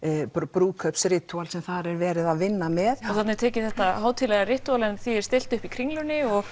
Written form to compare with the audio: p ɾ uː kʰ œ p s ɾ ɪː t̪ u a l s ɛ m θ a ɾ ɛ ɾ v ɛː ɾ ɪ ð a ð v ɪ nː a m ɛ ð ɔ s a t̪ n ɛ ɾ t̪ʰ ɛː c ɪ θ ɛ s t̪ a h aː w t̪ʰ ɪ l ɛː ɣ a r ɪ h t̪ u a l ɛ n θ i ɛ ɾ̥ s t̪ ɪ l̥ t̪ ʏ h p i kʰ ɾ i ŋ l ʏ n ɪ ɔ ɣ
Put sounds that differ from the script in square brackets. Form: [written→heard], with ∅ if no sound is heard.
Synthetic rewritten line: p ɾ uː kʰ œ p s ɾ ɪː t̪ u a l s ɛ m θ a ɾ ɛ ɾ v ɛː ɾ ɪ ð a ð v ɪ nː a m ɛ ð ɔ [s→θ] a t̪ n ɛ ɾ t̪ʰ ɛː c ɪ θ ɛ [s→h] t̪ a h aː w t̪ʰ ɪ l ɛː ɣ a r ɪ h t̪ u a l ɛ n θ i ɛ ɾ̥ s t̪ ɪ l̥ t̪ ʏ h p i kʰ ɾ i ŋ l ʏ n ɪ ɔ ɣ

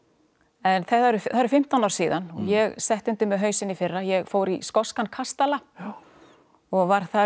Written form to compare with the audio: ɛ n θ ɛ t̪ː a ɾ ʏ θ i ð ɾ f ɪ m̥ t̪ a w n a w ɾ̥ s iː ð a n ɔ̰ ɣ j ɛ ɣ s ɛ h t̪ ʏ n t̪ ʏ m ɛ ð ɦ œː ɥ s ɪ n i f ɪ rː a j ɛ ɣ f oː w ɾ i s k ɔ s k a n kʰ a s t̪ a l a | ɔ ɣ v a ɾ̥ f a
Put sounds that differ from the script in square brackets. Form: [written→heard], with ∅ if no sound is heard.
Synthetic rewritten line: ɛ n θ ɛ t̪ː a ɾ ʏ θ [i→a] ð ɾ f ɪ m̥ t̪ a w n a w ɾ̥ s iː ð a n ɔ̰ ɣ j ɛ ɣ s ɛ h t̪ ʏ n t̪ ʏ m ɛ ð ɦ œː ɥ s ɪ n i f ɪ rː a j ɛ ɣ f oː w ɾ i s k ɔ s k a n kʰ a s t̪ a l a | ɔ ɣ v a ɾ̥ [f→θ] a

